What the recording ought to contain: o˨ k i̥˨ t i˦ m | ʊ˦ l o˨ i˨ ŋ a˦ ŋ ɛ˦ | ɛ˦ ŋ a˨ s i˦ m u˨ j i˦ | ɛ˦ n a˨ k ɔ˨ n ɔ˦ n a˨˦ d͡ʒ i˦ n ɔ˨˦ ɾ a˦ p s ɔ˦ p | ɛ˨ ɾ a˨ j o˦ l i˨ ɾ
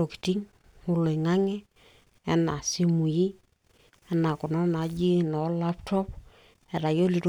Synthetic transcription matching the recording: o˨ k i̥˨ t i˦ ŋ | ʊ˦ l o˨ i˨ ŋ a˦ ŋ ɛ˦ | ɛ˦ n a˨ s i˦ m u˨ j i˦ | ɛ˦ n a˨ k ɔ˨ n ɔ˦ n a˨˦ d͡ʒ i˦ n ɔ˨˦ l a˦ p t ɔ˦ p | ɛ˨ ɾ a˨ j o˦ l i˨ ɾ